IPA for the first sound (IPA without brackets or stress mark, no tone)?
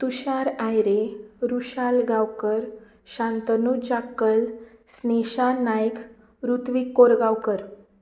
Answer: t̪